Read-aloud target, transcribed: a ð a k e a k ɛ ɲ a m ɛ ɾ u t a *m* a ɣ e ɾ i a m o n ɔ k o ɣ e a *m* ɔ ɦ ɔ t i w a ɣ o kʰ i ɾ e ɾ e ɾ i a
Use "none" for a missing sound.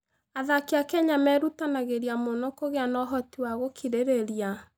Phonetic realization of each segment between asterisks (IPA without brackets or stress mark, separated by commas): n, n